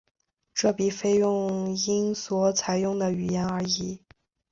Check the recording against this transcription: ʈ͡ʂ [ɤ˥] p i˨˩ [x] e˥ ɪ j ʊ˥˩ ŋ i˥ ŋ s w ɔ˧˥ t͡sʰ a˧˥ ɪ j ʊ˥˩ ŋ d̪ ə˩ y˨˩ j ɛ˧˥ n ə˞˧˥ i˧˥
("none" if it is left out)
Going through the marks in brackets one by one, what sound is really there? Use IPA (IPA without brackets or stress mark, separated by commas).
ɤ˥˩, f